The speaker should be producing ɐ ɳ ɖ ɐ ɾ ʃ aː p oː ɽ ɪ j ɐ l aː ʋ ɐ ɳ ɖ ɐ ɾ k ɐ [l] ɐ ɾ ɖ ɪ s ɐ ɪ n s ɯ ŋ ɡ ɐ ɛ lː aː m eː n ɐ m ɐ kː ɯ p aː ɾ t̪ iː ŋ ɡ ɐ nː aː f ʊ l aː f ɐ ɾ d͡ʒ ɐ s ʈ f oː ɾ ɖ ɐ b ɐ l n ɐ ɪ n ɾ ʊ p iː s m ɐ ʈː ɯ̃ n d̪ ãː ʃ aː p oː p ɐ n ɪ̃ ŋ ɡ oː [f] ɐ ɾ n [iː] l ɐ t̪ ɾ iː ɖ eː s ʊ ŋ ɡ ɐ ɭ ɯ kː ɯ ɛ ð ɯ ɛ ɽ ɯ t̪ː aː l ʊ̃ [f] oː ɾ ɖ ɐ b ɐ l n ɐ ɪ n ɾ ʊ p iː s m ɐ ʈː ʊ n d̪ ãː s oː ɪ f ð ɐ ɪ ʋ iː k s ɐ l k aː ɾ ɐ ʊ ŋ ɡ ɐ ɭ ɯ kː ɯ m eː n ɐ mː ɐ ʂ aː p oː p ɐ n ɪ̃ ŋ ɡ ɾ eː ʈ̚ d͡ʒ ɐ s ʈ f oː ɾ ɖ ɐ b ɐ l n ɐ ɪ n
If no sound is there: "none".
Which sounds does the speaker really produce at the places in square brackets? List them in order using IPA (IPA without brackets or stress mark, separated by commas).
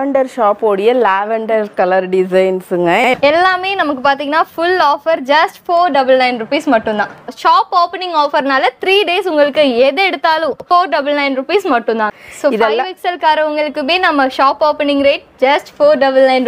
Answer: l, f, aː, f